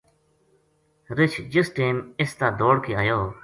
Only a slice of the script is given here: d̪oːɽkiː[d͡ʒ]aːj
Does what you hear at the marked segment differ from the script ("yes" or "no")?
yes